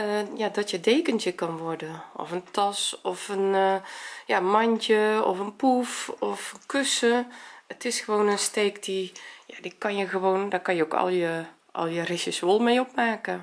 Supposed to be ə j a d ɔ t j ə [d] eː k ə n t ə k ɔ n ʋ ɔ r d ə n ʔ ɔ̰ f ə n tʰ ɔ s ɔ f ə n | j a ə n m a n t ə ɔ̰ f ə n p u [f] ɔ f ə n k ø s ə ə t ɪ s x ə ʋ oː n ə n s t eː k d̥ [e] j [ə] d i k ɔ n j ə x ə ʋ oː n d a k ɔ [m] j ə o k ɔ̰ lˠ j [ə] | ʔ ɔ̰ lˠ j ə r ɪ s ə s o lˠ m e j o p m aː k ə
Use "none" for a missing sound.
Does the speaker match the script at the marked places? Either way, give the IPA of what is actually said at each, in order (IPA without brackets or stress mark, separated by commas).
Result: d, f, i, a, n, ə